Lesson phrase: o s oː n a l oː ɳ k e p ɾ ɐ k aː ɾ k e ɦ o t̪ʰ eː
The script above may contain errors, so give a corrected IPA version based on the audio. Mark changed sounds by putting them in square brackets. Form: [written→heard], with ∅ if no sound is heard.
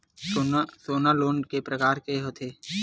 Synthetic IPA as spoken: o s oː n a l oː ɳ k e p ɾ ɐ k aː ɾ k e ɦ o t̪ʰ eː